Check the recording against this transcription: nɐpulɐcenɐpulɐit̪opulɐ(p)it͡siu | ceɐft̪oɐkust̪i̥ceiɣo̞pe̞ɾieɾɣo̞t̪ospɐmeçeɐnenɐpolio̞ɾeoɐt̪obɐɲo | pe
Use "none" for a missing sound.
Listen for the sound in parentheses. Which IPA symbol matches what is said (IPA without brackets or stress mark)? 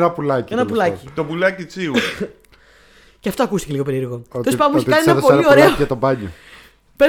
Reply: c